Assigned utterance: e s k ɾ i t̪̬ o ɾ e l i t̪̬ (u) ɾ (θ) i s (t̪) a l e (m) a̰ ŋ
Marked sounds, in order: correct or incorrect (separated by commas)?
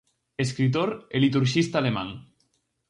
correct, incorrect, correct, correct